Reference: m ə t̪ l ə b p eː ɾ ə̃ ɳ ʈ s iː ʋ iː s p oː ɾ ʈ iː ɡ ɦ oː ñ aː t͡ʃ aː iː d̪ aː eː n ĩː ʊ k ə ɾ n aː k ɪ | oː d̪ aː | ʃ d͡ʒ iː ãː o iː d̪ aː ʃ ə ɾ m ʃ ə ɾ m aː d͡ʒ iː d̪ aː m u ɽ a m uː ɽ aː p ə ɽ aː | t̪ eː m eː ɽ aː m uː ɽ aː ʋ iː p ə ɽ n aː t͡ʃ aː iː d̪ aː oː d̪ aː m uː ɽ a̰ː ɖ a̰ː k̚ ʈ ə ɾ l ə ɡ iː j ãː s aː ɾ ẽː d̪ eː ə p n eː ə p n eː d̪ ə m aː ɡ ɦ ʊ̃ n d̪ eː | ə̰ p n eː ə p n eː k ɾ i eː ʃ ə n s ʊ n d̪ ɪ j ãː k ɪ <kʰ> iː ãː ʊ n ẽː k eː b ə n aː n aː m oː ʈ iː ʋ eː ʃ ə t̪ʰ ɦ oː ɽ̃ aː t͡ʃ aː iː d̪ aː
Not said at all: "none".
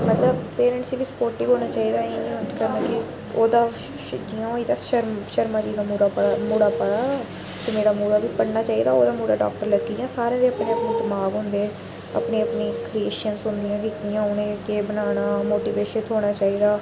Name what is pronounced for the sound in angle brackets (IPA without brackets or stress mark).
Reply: k